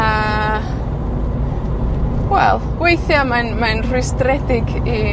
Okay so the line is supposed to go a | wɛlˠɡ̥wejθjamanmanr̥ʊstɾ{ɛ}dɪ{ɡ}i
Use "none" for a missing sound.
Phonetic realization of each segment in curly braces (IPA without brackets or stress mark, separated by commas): ɛ, ɡ